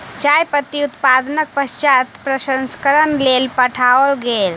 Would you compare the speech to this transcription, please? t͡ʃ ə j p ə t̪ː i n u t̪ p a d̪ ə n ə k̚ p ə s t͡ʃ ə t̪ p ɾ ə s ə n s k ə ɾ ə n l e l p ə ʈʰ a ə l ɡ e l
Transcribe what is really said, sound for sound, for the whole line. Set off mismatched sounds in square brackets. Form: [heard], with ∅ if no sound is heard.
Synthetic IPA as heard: t͡ʃ [a] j p ə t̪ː i [∅] u t̪ p a d̪ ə n ə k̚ p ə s t͡ʃ [a] t̪ p ɾ ə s ə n s k ə ɾ ə n l e l p ə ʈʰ a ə l ɡ e l